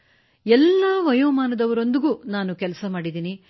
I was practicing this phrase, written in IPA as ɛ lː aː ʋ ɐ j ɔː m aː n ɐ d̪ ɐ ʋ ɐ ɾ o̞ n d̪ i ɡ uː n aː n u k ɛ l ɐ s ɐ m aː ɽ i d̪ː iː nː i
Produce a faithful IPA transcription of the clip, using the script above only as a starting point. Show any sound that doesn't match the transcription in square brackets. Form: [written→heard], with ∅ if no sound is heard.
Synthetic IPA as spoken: ɛ lː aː ʋ ɐ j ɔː m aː n ɐ d̪ ɐ ʋ ɐ ɾ o̞ n d̪ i ɡ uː n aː n u k ɛ l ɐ s ɐ m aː ɽ i [d̪ː→d̪] iː [nː→n] i